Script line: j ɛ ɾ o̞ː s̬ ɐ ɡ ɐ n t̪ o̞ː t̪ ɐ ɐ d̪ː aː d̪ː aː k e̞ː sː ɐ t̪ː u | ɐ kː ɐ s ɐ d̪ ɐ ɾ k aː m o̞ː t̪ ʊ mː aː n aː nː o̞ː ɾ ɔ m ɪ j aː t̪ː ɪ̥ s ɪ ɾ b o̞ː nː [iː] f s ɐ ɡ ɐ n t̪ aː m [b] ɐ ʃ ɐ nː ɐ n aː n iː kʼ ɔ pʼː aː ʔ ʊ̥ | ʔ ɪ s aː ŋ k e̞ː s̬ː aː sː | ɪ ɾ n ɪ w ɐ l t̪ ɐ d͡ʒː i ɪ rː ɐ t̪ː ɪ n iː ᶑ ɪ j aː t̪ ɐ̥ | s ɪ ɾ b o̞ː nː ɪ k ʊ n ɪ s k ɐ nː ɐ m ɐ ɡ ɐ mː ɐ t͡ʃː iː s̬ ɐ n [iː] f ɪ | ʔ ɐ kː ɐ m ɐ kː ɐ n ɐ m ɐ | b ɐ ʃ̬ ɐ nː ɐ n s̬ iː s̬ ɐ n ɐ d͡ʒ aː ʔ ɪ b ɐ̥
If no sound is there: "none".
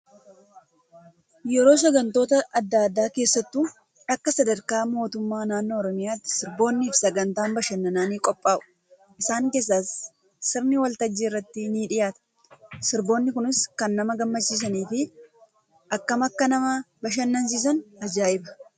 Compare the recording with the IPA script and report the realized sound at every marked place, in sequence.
iː, b, iː

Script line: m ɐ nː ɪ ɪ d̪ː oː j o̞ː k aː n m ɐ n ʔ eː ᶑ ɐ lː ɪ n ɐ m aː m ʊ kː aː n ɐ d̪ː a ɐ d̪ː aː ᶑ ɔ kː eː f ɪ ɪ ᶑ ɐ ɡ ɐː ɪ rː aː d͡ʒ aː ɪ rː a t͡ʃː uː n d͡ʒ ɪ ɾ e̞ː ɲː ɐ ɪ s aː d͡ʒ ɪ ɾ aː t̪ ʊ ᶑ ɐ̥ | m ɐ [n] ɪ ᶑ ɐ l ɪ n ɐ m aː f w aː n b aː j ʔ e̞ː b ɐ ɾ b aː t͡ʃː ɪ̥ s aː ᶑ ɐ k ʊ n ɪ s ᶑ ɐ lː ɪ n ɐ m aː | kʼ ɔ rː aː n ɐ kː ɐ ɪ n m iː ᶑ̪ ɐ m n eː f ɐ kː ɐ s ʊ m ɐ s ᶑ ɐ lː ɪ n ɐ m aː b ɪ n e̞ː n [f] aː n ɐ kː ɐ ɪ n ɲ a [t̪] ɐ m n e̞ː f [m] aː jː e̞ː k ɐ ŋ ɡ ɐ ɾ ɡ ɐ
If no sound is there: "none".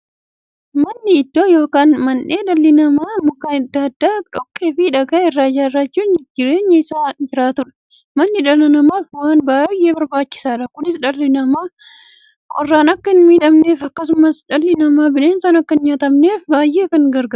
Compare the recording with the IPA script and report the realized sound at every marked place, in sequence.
nː, s, t̪, b

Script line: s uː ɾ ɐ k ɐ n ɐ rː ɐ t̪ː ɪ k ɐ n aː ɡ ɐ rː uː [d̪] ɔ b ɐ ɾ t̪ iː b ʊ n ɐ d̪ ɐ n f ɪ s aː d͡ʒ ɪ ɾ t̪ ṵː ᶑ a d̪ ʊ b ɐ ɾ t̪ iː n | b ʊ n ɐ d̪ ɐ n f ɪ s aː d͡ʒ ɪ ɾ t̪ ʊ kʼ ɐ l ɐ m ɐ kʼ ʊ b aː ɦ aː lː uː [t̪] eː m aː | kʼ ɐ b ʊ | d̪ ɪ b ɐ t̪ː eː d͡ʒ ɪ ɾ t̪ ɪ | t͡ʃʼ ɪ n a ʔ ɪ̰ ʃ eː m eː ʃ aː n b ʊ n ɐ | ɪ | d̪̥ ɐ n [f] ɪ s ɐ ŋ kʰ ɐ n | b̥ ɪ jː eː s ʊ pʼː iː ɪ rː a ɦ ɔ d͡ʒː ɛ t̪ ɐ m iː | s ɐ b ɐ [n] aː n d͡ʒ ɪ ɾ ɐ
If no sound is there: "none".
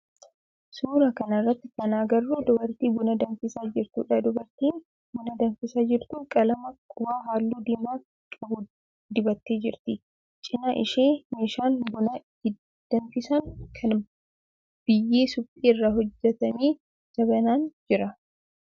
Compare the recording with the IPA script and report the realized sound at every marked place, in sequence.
d̪, d̪, f, n

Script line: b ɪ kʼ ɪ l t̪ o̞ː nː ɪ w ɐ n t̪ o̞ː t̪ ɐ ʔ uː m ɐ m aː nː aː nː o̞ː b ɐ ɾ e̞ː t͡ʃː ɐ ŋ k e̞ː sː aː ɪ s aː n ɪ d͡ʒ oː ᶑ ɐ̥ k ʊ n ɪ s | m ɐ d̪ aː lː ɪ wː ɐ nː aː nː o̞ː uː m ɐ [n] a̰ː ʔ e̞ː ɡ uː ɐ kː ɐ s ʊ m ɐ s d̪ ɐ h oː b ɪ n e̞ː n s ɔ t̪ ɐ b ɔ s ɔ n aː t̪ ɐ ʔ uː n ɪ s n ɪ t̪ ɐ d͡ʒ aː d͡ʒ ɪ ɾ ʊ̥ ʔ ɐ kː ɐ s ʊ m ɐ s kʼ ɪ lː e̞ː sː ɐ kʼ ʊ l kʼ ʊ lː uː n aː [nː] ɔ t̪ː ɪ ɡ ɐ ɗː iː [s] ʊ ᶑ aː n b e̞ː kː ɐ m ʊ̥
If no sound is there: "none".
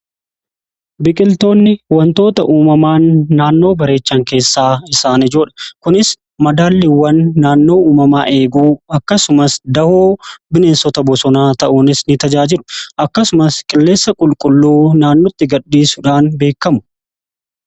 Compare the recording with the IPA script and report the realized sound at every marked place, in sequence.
m, nː, s

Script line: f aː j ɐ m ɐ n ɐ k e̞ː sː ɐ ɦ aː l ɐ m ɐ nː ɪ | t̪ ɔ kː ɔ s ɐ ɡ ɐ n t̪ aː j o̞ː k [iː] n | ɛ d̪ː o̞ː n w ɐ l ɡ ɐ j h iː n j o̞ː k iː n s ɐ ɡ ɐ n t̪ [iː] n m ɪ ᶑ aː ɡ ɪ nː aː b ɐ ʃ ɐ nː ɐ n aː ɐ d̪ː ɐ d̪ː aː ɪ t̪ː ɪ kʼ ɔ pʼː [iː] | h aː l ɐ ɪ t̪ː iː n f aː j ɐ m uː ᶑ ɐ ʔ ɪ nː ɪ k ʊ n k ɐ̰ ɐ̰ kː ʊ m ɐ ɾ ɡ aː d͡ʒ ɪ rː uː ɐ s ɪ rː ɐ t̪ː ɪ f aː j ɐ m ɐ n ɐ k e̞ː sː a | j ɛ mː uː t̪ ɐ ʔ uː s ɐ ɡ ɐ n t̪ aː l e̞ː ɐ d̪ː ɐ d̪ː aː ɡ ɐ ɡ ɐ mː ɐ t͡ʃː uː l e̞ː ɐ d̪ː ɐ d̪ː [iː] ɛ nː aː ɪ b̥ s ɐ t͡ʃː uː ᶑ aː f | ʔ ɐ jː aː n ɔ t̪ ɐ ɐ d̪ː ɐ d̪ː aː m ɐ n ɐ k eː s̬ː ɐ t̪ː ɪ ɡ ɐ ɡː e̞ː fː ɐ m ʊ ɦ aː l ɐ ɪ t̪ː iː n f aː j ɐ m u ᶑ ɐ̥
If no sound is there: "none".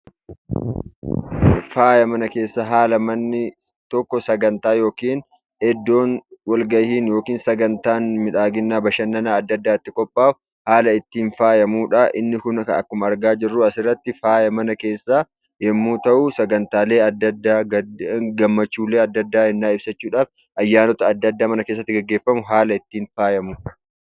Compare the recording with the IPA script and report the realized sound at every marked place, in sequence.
iː, aː, aː, aː

